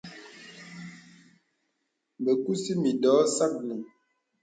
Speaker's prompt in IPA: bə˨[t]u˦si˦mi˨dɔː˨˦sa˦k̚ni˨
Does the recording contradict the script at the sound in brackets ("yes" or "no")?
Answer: yes